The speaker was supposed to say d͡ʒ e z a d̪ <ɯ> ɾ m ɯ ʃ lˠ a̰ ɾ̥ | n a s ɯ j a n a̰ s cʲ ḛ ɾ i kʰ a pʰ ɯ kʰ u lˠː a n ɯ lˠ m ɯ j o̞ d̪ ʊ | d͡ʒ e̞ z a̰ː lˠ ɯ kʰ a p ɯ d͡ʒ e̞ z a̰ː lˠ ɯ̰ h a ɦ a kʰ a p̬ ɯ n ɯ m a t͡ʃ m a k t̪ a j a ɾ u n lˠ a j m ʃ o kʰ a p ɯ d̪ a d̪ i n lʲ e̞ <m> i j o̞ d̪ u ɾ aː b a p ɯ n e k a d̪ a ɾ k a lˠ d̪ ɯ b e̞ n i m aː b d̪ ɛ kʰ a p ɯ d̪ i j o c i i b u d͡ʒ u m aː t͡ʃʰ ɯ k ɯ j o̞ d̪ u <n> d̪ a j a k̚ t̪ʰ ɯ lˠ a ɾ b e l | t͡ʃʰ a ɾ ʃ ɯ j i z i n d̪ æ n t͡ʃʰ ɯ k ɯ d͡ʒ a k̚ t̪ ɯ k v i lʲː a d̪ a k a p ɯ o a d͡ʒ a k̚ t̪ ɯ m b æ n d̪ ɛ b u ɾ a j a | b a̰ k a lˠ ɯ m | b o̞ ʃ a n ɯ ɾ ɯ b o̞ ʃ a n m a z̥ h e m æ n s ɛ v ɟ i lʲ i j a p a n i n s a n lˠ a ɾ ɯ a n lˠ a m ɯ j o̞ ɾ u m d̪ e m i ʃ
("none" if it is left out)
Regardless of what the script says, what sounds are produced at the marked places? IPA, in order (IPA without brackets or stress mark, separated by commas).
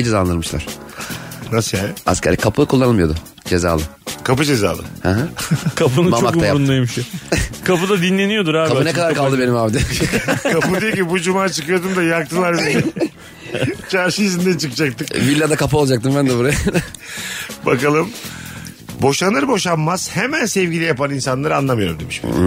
ɯ, n, m